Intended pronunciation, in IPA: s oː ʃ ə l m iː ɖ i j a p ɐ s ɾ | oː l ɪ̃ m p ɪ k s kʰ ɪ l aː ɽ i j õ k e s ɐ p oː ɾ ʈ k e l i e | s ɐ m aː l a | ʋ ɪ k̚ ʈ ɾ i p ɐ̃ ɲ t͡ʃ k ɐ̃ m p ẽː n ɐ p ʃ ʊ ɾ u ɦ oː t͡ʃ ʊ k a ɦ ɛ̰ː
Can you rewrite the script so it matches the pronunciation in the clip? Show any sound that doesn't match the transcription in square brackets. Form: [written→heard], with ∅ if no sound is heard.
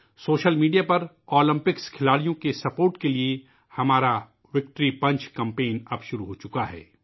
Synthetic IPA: s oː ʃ ə l m iː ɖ i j a p ɐ [s→∅] ɾ | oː l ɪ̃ m p ɪ k s kʰ ɪ l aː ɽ i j õ k e s ɐ p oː ɾ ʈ k e l i e | [s→h] ɐ m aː [l→ɾ] a | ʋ ɪ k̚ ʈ ɾ i p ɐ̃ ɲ t͡ʃ k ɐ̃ m p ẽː n ɐ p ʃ ʊ ɾ u ɦ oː t͡ʃ ʊ k a ɦ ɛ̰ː